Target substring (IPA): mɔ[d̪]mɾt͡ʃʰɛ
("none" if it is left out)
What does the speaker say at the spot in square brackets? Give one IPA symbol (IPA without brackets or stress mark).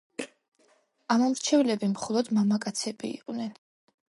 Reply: none